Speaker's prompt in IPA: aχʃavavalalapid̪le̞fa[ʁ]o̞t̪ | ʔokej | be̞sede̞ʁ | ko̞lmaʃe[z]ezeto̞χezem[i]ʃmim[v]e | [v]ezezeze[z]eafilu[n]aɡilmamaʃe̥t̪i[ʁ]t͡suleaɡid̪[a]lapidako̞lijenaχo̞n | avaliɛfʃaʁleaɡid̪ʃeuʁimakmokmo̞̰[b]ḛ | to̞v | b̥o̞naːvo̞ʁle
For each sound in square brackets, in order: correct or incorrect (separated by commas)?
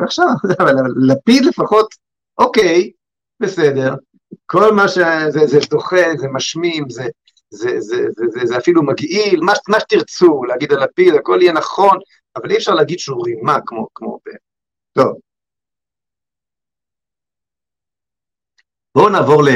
incorrect, correct, incorrect, incorrect, incorrect, correct, incorrect, correct, correct, correct